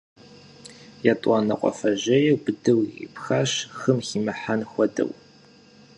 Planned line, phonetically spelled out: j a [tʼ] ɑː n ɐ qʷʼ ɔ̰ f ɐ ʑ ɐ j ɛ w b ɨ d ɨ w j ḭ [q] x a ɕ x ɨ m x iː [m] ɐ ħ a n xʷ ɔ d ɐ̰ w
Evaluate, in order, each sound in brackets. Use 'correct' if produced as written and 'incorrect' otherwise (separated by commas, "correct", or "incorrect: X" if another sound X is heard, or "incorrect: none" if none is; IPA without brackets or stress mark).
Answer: correct, incorrect: p, correct